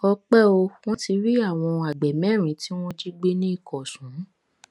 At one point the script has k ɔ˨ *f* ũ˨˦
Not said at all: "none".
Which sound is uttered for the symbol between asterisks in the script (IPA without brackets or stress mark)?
s